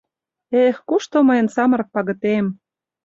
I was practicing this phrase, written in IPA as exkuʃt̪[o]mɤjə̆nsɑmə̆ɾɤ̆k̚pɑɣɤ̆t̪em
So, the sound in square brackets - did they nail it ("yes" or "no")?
yes